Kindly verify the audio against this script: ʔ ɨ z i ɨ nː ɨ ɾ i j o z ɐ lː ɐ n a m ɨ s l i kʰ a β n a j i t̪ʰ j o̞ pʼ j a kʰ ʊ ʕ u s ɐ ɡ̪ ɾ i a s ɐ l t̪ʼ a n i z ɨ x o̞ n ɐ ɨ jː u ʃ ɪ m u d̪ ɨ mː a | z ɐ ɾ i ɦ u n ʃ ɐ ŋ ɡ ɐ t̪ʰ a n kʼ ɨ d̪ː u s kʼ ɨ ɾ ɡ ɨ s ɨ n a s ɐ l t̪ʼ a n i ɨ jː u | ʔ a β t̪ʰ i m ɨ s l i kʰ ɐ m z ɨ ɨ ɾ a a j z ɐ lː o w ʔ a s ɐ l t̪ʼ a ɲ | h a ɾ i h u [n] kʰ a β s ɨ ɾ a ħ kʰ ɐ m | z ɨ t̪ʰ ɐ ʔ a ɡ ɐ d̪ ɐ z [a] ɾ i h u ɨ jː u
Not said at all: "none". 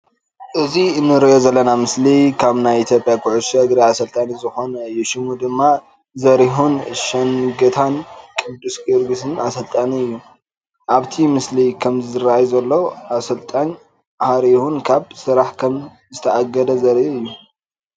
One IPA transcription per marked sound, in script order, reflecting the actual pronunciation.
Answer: n, ɐ

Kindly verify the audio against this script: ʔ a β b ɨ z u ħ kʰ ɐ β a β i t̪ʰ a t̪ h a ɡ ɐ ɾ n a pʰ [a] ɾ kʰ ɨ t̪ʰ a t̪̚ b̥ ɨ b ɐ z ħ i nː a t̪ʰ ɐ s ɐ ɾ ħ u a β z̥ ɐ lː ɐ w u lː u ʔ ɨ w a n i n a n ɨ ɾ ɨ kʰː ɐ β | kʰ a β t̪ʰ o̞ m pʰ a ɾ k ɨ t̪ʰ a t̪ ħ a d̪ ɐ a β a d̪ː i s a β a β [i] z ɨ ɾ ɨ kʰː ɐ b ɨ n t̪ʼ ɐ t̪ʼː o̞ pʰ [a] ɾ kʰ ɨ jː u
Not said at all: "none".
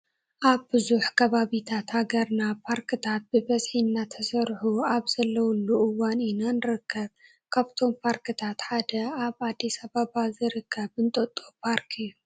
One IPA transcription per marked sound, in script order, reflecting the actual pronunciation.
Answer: a, a, a

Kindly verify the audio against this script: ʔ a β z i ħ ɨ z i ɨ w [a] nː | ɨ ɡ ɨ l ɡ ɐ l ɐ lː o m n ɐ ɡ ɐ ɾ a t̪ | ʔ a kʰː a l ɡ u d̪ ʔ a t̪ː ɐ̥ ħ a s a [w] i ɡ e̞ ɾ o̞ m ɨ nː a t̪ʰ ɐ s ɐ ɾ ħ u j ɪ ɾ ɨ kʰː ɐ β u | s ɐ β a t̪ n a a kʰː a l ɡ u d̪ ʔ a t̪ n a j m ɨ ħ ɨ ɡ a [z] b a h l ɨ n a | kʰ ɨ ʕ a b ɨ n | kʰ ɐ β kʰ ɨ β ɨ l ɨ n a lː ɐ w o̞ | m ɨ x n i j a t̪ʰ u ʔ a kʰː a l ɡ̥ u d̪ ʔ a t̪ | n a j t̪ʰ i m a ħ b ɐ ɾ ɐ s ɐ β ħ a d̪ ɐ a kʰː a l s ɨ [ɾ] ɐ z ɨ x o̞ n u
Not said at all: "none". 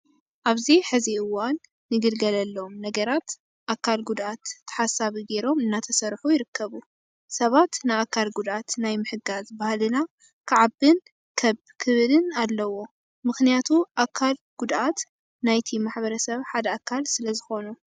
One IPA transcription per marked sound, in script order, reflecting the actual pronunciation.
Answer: a, β, z, l

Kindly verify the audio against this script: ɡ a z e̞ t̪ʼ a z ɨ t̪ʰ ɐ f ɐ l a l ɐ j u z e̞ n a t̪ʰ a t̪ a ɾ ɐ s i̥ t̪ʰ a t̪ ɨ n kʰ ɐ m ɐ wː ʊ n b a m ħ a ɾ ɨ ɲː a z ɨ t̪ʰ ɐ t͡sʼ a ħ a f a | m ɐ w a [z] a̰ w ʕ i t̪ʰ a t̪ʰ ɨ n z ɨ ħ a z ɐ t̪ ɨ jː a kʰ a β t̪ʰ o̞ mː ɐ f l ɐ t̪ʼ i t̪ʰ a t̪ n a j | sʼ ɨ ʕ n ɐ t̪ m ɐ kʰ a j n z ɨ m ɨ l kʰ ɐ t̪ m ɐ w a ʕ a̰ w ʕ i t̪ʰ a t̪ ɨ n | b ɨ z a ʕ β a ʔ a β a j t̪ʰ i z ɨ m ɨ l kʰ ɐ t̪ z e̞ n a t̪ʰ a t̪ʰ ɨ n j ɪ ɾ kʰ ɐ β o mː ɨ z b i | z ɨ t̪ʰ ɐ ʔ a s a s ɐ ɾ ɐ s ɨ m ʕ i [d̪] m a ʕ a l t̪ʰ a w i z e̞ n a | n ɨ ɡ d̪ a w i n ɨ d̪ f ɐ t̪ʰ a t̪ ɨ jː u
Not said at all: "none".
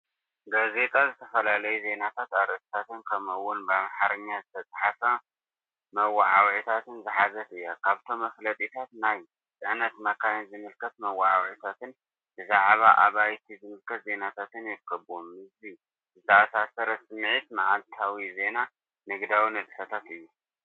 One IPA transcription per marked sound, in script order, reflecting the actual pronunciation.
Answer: ʕ, t̪

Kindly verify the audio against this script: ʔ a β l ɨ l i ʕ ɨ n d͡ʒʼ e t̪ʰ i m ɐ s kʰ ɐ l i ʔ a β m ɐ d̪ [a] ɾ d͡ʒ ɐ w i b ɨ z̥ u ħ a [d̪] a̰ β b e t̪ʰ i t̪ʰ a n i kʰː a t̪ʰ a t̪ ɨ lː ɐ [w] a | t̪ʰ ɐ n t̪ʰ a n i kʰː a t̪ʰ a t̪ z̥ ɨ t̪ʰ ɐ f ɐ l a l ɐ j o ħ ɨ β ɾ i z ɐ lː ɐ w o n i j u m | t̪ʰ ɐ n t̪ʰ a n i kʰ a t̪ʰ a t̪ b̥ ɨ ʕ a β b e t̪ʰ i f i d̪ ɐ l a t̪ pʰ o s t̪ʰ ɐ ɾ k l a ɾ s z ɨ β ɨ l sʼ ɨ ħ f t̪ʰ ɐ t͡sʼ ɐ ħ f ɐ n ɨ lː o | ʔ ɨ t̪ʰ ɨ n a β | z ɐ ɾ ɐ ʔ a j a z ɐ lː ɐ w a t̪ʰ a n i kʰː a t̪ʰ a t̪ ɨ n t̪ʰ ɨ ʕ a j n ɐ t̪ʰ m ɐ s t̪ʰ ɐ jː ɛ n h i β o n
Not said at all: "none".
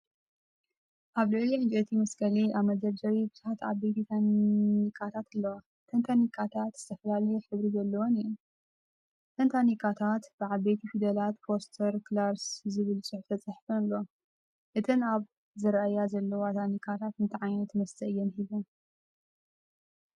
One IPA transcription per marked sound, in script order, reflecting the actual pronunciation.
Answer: ɐ, t̪, w

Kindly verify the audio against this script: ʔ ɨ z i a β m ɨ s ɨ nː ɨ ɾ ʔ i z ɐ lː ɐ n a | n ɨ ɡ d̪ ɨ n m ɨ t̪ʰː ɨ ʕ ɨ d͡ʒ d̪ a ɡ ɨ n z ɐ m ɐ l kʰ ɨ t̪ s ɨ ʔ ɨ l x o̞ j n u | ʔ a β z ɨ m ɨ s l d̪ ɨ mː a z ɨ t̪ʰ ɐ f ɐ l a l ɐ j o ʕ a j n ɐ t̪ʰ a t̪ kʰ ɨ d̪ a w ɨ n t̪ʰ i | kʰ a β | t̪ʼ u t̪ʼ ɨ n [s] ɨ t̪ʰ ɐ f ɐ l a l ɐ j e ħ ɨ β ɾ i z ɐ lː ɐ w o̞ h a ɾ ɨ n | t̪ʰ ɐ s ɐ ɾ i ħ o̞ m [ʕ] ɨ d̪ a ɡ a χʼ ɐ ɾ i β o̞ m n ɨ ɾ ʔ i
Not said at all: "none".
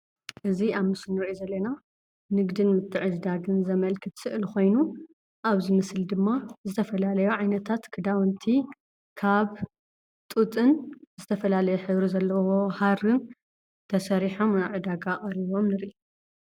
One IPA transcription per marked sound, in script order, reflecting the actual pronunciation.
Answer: z, ʕ

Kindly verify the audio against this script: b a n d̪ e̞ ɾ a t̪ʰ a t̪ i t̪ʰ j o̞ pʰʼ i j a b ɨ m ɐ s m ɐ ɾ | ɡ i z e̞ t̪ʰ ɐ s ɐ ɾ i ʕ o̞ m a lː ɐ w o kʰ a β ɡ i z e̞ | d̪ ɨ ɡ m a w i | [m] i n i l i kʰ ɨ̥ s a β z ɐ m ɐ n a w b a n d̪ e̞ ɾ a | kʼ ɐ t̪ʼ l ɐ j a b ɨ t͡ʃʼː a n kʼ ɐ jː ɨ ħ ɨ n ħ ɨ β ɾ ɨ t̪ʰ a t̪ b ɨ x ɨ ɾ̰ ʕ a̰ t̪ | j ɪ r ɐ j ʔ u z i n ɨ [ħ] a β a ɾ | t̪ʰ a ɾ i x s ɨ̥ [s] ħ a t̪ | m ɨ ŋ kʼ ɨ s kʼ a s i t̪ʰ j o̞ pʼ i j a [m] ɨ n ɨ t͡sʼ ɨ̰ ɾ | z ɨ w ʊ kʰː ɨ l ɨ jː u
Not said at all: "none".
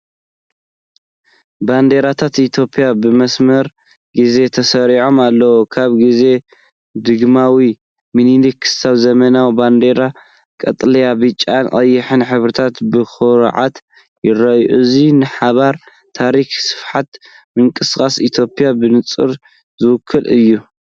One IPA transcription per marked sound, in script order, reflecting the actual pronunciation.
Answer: m, ħ, f, b

